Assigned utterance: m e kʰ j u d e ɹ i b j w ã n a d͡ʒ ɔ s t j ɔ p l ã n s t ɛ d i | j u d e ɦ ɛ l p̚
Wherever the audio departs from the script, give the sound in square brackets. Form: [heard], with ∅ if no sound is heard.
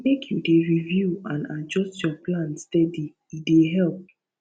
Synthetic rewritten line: m e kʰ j u d e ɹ i [v] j [u] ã n a d͡ʒ ɔ s t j ɔ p l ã n s t ɛ d i | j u d e ɦ ɛ l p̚